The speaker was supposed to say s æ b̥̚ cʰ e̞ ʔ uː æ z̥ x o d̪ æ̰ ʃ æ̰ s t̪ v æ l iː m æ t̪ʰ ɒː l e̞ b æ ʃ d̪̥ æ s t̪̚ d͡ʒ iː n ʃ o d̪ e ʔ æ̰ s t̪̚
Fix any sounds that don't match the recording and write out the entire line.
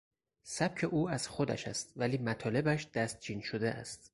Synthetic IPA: s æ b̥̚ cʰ e̞ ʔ uː æ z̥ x o d̪ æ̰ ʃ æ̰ s t̪ v æ l iː m æ t̪ʰ ɒː l e̞ b æ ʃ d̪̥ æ s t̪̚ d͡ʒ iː n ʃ o d̪ e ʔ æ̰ s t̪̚

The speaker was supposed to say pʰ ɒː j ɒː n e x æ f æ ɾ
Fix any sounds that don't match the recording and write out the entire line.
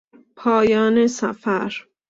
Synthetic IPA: pʰ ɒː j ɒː n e s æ f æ ɾ

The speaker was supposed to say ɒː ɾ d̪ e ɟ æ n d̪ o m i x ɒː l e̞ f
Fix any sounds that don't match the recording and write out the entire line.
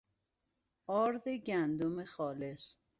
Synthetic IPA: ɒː ɾ d̪ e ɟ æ n d̪ o m e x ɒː l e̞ s

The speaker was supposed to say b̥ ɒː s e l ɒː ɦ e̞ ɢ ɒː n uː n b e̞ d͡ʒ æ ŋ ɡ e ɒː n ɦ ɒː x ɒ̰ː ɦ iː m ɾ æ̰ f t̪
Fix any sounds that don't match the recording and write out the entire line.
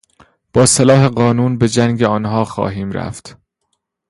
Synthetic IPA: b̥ ɒː s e l ɒː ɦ e̞ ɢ ɒː n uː n b e̞ d͡ʒ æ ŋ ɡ e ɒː n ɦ ɒː x ɒ̰ː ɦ iː m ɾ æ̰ f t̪

